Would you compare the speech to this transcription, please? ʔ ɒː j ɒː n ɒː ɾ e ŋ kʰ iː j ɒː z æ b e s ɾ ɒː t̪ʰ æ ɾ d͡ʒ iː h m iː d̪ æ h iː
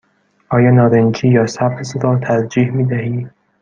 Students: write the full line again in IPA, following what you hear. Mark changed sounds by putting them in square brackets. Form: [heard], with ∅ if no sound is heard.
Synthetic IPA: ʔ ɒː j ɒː n ɒː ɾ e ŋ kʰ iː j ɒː [s] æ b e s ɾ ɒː t̪ʰ æ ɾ d͡ʒ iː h m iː d̪ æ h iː